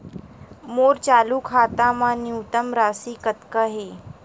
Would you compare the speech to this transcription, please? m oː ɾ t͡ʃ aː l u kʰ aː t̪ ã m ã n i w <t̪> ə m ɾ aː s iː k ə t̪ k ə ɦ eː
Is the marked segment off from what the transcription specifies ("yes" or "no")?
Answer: no